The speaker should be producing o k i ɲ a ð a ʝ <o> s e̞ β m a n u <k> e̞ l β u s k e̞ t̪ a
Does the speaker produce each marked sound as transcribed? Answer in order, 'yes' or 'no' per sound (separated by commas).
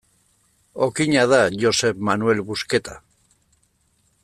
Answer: yes, no